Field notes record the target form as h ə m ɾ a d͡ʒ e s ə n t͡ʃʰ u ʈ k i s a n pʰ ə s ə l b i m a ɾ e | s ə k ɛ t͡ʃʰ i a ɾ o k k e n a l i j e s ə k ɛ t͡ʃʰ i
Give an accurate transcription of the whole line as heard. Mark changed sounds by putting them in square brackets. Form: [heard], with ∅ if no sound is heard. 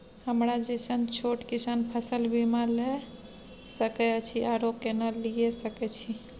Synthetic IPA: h ə m ɾ a d͡ʒ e s ə n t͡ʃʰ [o] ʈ k i s a n pʰ ə s ə l b i m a [l] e | s ə k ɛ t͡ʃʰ i a ɾ o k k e n a l i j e s ə k ɛ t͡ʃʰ i